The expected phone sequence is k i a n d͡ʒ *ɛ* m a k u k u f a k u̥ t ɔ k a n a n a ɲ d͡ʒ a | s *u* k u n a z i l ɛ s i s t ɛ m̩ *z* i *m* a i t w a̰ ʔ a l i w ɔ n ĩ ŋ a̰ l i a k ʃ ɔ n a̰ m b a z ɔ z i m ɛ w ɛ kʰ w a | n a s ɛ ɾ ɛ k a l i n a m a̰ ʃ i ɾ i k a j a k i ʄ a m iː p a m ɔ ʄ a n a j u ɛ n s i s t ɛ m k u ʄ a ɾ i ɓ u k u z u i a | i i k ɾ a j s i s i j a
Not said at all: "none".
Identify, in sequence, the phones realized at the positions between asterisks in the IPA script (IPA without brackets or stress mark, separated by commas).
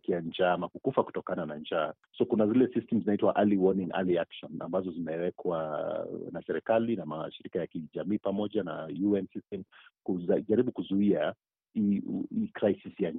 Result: a, ɔ, z, n